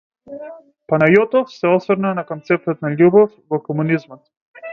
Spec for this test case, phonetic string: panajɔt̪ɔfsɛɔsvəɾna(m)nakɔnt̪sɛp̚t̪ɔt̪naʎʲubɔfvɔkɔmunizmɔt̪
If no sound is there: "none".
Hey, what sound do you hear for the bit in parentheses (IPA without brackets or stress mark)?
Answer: none